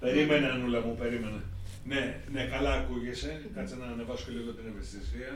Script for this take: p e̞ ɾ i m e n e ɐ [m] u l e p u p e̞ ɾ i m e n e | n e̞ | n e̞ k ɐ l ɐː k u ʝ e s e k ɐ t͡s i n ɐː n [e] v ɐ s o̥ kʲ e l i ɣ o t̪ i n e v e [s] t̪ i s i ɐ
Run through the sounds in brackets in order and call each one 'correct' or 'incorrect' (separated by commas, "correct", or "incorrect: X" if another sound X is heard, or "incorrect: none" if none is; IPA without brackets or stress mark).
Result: incorrect: n, correct, correct